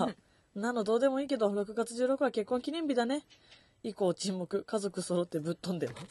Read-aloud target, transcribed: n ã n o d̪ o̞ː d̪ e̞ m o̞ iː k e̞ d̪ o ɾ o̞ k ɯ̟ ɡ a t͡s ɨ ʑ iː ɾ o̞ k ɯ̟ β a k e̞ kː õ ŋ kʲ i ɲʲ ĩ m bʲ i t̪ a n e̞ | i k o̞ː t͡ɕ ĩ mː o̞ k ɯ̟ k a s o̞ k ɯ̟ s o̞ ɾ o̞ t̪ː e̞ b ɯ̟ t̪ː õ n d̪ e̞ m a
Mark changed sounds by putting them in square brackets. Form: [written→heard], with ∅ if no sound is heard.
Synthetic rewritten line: n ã n o d̪ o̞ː d̪ e̞ m o̞ iː k e̞ d̪ o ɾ o̞ k ɯ̟ ɡ a t͡s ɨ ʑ [iː→ɨː] ɾ o̞ k ɯ̟ β a k e̞ kː õ ŋ kʲ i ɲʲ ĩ m bʲ i [t̪→d̪] a n e̞ | i k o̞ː t͡ɕ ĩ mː o̞ k ɯ̟ k a [s→z] o̞ k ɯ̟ s o̞ ɾ o̞ t̪ː e̞ b ɯ̟ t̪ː õ n d̪ e̞ m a